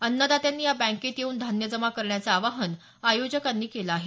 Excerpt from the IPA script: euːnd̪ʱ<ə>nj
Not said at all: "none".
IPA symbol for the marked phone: a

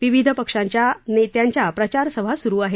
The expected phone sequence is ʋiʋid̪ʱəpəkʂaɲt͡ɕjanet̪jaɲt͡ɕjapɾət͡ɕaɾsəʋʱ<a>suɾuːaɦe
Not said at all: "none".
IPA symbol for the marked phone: a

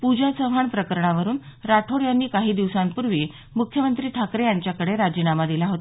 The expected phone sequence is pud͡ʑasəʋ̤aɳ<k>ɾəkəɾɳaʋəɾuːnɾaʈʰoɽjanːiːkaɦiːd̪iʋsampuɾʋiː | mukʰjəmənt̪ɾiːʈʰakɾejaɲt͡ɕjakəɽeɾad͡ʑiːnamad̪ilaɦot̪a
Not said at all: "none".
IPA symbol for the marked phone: p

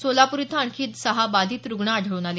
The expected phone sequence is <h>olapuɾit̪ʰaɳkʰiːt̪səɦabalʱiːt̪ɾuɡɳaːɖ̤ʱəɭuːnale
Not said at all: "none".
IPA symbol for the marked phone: s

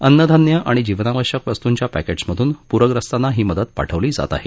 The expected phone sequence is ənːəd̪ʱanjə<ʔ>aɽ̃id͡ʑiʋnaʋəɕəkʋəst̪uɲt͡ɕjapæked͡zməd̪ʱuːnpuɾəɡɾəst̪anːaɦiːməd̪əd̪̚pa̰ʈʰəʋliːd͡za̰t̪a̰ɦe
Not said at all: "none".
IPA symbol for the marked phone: ʔ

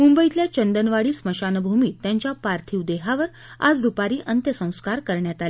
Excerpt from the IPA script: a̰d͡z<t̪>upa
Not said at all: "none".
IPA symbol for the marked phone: d̪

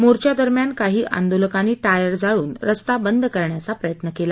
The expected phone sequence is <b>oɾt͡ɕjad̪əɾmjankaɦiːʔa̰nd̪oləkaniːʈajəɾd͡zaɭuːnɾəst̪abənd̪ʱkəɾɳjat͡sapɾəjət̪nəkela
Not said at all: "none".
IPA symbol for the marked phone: m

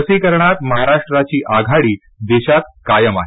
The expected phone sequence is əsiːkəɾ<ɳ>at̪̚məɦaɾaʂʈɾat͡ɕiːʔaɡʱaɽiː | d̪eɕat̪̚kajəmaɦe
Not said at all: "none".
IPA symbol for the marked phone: ɳ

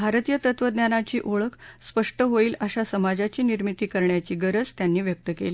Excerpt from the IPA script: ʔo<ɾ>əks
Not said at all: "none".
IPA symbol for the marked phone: ɭ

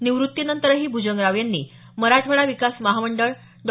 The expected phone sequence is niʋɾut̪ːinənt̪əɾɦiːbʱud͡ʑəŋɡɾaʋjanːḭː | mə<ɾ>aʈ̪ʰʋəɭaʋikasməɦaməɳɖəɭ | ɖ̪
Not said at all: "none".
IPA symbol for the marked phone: ɾ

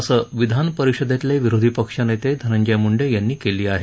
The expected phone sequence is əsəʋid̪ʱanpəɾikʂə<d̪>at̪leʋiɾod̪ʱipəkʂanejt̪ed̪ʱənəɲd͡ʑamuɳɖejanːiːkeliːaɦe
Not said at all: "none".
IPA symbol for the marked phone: d̪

